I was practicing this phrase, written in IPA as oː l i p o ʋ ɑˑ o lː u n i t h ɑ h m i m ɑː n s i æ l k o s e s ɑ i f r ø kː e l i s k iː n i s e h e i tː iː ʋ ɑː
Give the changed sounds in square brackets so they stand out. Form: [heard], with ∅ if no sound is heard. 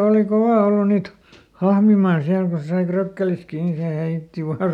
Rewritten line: oː l i [k] o ʋ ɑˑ o lː u n [iː] t h ɑ h m i m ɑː n s i æ l k o s e s ɑ i f r ø kː e l i s k iː n i s e h e i tː [i] ʋ ɑː